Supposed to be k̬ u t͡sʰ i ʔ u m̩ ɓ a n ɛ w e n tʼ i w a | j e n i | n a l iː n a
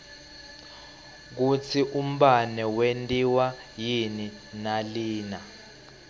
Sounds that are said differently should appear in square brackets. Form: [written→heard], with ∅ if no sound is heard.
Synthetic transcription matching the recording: k̬ u t͡sʰ i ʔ u m̩ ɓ a n ɛ w e n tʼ i w a | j [e→i] n i | n a l iː n a